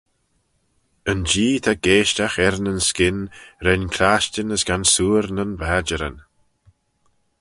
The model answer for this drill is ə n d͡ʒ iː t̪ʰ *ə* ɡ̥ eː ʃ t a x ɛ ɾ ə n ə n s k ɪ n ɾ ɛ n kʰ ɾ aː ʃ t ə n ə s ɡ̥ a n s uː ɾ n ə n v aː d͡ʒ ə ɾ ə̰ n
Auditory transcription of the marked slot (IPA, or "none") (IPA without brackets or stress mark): a